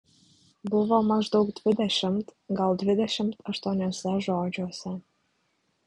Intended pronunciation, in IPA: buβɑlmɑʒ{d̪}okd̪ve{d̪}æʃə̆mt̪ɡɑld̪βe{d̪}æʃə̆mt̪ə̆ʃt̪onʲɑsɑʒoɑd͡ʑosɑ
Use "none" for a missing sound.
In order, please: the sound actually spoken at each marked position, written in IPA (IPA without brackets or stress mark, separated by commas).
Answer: d̪, d̪, d̪